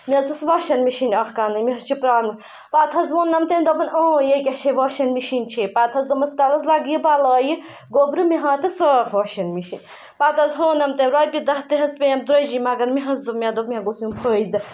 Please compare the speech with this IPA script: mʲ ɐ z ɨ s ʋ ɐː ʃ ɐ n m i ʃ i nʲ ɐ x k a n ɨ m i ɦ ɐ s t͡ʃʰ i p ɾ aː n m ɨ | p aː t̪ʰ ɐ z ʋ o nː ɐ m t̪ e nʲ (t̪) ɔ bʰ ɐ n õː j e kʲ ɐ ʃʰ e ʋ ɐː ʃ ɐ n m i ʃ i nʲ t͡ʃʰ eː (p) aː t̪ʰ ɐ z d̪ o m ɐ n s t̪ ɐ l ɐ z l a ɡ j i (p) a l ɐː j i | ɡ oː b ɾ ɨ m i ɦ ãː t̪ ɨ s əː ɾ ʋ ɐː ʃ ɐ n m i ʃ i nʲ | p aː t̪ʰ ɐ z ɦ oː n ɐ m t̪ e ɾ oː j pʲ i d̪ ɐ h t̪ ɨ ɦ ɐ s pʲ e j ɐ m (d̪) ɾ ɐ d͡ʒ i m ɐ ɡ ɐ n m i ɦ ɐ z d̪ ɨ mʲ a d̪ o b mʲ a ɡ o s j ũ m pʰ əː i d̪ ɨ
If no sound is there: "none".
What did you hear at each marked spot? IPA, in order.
d̪, p, b, d̪

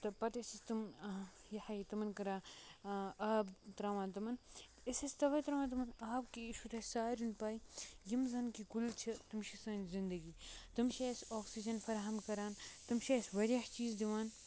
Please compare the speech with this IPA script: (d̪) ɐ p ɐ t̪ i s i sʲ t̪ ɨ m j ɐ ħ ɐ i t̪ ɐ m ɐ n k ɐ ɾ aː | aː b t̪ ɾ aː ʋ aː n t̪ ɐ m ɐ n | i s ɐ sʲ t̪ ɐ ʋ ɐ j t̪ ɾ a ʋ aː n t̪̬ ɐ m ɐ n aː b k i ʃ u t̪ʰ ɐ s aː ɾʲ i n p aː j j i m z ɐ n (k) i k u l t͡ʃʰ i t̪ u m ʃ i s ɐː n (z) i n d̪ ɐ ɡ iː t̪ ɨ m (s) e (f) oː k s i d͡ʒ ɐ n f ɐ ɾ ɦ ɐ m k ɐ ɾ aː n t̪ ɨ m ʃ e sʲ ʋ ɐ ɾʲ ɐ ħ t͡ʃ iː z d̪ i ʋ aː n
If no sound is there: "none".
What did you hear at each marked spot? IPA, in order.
t̪, k, z, ʃ, s

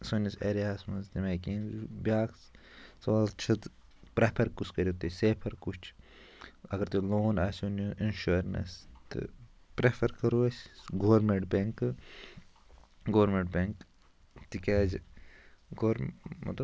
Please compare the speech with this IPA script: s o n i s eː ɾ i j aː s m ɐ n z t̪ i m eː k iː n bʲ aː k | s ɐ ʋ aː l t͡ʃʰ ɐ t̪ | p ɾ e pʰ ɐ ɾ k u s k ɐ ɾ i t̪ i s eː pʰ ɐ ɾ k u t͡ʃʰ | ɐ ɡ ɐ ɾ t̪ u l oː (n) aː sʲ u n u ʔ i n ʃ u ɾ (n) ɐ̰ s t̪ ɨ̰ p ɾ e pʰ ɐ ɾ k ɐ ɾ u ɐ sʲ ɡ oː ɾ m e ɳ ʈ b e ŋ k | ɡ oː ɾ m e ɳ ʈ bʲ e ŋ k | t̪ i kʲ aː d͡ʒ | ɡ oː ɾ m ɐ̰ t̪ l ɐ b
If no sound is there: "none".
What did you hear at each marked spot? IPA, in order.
n, n

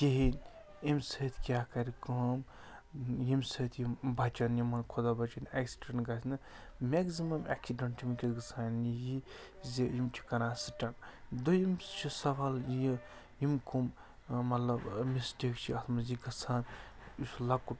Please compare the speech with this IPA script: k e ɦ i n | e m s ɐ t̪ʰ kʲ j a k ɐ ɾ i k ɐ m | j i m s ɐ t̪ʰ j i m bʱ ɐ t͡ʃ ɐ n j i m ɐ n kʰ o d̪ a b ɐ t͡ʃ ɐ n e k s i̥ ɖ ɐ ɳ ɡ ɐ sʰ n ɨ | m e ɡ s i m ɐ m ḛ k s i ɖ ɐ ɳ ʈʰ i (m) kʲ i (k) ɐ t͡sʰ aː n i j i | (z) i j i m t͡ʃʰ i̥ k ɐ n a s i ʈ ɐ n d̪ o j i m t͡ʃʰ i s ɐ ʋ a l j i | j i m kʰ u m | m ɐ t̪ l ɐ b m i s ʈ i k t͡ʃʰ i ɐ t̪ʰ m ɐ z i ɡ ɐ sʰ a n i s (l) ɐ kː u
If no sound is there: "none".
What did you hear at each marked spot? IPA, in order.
m, ɡ, z, l

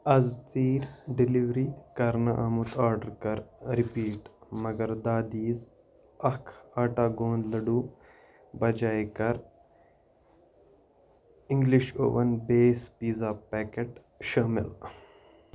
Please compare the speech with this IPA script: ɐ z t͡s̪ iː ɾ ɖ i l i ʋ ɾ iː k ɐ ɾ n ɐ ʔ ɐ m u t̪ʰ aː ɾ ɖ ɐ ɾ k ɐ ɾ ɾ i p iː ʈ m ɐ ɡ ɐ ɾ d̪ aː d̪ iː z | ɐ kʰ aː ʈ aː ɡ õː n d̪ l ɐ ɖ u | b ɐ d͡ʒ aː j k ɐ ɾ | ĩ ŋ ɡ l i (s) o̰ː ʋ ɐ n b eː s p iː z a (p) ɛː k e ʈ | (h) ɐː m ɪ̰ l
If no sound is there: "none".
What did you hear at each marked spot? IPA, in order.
ʃ, p, ʃ

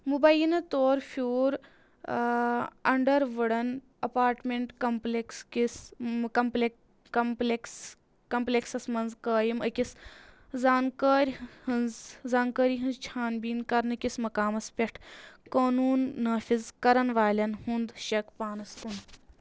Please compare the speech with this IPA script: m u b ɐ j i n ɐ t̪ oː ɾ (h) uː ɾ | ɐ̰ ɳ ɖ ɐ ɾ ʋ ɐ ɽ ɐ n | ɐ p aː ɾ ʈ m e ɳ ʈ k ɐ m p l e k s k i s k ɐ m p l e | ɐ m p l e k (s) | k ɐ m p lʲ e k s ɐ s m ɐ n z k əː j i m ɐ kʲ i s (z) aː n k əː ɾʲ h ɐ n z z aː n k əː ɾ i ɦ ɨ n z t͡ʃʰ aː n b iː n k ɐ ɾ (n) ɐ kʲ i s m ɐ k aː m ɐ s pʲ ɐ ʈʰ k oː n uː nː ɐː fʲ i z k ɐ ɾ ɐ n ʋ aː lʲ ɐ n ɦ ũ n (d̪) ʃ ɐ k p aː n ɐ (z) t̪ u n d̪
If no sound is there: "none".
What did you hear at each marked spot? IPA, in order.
f, s, z, n, d̪, s

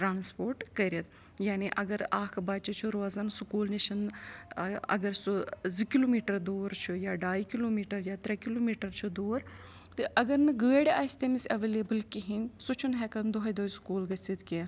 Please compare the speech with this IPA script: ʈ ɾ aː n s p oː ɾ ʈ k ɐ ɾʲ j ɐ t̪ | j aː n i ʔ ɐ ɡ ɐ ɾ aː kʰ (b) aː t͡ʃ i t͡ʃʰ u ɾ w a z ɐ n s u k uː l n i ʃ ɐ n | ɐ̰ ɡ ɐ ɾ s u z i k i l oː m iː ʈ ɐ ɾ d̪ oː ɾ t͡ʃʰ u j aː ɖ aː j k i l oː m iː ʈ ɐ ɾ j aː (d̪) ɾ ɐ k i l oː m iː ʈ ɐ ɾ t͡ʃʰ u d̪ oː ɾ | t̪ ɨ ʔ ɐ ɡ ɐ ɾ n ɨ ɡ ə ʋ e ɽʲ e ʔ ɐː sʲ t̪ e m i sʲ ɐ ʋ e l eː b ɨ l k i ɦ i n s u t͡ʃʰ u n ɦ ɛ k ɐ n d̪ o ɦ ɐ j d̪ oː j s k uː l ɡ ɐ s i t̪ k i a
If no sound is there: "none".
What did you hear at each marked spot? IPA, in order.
b, t̪

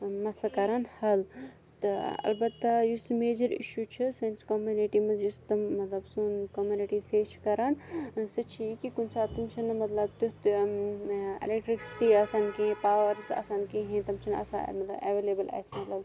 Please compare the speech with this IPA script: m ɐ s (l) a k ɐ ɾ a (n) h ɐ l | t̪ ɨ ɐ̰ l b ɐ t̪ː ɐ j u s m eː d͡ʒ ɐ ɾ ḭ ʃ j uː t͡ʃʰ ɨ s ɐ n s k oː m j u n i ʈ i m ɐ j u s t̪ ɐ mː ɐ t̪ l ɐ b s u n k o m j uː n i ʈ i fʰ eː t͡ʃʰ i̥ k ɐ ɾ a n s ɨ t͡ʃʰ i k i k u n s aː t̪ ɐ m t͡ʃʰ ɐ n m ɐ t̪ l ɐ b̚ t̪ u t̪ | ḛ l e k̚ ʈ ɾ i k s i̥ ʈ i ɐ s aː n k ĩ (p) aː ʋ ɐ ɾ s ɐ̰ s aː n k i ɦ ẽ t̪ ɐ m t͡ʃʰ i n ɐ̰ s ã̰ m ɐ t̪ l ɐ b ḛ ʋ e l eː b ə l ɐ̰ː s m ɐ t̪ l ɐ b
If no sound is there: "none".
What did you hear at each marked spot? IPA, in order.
l, n, p

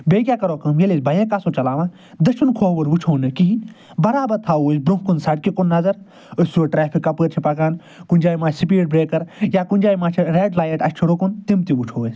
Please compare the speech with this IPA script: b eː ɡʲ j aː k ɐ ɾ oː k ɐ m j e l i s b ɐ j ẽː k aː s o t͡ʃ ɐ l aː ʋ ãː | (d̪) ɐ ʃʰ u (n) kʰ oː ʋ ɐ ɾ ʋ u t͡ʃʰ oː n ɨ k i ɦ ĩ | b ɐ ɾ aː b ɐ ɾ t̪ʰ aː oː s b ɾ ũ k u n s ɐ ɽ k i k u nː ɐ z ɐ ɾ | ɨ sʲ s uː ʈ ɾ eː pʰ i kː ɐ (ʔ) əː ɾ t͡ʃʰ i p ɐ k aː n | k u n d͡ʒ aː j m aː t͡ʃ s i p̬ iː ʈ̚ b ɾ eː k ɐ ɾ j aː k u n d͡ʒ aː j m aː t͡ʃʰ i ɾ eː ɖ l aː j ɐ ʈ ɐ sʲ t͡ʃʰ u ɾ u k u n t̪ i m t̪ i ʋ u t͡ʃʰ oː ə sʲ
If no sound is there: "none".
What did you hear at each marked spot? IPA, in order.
d̪, n, p

